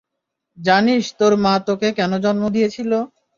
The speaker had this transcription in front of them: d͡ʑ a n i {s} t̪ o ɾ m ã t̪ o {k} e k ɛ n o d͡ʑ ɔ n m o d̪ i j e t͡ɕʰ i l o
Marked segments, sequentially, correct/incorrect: incorrect: ʃ, correct

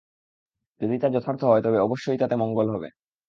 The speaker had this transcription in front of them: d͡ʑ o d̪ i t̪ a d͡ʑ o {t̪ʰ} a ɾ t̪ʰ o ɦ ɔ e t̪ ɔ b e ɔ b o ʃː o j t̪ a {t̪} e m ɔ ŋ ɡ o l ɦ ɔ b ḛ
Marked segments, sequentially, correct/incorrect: correct, correct

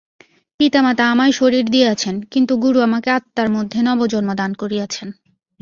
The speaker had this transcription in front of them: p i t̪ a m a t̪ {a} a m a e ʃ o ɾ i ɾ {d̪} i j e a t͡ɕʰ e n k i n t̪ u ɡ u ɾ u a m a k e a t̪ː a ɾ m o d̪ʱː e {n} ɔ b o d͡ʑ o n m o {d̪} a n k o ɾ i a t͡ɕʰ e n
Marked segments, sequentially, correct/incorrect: correct, correct, correct, correct

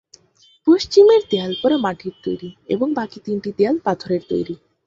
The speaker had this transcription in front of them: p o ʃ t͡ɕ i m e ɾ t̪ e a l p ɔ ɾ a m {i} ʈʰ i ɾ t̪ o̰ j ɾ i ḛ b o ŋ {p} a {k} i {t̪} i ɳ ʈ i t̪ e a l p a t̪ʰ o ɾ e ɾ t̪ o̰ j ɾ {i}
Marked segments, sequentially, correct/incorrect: incorrect: a, incorrect: b, correct, correct, correct

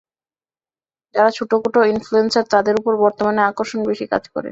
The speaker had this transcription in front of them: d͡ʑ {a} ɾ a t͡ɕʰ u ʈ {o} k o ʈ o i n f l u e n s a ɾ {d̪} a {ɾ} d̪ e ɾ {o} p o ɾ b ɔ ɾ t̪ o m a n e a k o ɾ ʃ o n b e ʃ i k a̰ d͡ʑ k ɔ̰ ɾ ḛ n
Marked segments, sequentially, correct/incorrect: correct, correct, incorrect: t̪, incorrect: none, incorrect: u

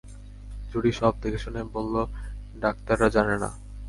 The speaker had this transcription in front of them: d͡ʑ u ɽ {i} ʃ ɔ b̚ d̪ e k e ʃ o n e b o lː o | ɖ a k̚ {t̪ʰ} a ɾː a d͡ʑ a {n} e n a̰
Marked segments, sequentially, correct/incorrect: correct, incorrect: t̪, correct

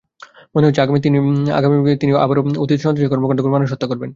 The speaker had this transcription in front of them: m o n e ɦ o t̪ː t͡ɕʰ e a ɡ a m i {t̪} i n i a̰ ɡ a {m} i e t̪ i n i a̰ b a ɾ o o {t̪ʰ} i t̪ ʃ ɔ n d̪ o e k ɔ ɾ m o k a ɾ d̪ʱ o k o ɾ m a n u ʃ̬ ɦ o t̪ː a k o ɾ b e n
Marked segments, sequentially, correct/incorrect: correct, correct, incorrect: t̪

